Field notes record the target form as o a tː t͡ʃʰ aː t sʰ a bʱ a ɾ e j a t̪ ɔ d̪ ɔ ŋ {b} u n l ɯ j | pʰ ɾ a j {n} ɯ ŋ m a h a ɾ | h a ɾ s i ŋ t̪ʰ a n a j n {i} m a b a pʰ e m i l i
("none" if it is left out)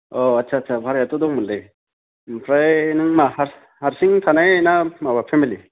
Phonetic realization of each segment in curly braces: m, n, a

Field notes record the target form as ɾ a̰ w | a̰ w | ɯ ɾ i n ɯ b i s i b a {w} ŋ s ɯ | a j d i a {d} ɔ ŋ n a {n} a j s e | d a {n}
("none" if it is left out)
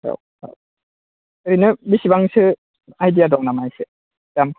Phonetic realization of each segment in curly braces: none, d, m, m

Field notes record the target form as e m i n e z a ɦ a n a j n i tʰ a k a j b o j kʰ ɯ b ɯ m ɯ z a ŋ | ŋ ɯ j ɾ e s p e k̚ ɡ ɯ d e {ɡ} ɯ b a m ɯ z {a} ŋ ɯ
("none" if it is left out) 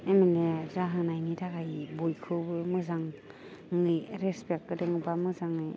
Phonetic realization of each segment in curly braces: ŋ, a

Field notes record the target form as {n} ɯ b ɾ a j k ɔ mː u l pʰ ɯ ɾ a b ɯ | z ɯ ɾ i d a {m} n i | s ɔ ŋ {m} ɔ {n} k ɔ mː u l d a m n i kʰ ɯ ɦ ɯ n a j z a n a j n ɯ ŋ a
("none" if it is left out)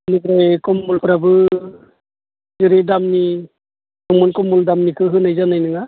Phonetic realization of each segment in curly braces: n, m, m, n

